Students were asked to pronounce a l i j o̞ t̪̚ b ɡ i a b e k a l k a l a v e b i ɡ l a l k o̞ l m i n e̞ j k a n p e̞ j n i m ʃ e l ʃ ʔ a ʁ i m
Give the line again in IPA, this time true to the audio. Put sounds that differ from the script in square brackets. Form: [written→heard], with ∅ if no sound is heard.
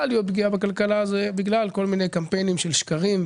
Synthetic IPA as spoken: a l i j o̞ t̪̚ b ɡ i a b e k a l k a l a [v→z] e b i ɡ l a l k o̞ l m i n e̞ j k a [n→m] p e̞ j n i m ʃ e l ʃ [ʔ→k] a ʁ i m